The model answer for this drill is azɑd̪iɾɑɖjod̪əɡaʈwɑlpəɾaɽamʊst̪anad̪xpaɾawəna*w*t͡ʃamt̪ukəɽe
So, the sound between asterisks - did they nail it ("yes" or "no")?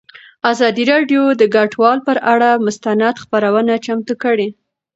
no